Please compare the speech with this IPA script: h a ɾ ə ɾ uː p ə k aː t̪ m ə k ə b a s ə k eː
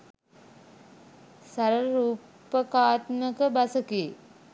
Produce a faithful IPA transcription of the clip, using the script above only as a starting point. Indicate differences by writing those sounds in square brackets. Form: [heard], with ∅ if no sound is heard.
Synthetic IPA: [s] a ɾ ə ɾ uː p ə k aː t̪ m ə k ə b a s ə k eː